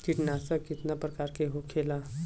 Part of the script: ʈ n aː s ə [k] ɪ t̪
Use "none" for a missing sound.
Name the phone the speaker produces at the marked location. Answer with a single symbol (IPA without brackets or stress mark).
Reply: k